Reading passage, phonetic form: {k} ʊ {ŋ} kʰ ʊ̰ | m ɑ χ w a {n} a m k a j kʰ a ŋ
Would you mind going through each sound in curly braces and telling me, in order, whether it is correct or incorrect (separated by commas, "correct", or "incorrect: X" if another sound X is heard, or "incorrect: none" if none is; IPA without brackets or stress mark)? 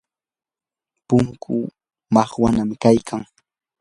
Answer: incorrect: p, correct, correct